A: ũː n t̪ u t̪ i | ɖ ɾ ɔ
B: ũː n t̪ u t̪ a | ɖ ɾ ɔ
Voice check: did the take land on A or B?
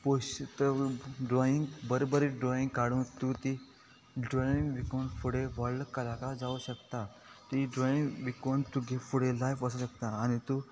A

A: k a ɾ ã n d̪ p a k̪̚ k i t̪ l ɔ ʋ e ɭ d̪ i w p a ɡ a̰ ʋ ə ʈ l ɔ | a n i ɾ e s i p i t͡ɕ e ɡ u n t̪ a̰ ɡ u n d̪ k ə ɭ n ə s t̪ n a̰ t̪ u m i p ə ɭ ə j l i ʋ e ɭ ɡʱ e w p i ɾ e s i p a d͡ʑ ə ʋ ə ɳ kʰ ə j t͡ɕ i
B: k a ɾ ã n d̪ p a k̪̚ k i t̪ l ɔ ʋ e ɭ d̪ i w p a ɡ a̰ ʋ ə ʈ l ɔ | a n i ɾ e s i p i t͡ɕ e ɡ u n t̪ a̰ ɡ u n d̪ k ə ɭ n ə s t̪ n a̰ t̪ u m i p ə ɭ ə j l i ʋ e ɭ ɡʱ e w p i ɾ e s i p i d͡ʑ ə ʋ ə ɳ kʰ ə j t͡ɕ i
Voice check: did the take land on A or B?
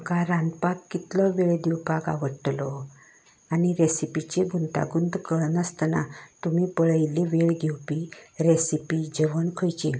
B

